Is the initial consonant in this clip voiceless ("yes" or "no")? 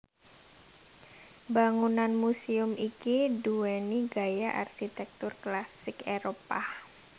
no